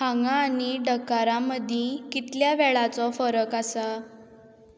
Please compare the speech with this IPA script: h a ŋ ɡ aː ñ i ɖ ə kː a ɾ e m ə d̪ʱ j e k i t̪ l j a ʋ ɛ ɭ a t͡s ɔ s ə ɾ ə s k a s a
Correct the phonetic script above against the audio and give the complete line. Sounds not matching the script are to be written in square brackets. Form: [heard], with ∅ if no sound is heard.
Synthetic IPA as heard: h a ŋ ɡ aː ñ i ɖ ə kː a ɾ [a] m ə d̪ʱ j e k i t̪ l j a ʋ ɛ ɭ a t͡s ɔ [f] ə ɾ ə [∅] k a s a